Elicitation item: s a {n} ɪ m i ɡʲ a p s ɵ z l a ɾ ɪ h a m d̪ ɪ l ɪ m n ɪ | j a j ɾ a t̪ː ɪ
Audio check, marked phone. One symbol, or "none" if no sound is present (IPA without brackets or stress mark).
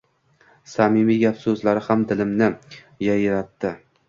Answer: m